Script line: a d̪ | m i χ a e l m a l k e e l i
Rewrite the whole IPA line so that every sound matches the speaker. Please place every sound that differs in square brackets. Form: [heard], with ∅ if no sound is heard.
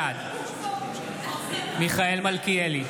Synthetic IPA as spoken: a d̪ | m i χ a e l m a l k [i] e l i